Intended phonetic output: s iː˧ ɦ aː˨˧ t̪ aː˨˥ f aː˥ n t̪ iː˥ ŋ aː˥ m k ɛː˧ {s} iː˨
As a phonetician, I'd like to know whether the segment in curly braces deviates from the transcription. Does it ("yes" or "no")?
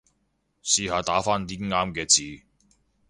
yes